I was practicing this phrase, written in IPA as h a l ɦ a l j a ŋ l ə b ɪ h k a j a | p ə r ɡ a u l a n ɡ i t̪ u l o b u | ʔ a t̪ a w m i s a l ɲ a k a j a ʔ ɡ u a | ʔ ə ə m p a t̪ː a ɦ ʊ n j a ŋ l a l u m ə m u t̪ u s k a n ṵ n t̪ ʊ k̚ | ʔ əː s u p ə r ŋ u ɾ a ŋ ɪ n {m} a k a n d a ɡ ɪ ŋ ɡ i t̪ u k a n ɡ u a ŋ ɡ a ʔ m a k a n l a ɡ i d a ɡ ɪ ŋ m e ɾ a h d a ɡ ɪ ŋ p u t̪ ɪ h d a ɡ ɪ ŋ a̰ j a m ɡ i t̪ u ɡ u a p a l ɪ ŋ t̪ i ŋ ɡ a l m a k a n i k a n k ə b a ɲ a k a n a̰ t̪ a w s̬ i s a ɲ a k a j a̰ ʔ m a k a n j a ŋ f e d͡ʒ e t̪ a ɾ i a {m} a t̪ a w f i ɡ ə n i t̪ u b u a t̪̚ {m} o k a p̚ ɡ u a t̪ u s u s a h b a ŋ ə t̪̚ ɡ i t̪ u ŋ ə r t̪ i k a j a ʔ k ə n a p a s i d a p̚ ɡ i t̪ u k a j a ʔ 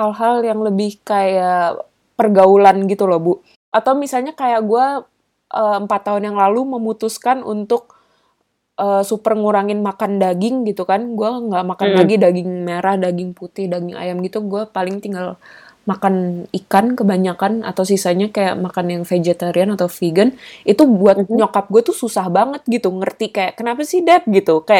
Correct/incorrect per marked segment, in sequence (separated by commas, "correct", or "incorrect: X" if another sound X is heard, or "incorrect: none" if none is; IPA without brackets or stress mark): correct, incorrect: n, incorrect: ɲ